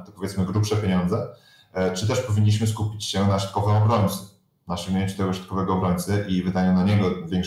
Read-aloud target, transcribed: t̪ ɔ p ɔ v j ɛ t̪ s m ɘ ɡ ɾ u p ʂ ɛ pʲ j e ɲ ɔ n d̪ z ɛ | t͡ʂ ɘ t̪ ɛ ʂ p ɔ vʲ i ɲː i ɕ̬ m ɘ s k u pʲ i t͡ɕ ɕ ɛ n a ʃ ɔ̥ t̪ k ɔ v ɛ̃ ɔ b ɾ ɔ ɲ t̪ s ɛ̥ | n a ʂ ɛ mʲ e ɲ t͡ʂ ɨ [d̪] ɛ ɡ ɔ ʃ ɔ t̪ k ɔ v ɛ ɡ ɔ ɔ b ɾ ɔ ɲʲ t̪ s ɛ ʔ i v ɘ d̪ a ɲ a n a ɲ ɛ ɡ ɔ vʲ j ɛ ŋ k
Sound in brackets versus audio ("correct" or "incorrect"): incorrect